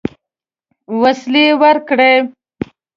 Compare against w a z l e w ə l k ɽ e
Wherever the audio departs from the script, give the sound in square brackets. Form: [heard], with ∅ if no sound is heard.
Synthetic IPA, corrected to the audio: w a [s] l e w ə [ɾ] k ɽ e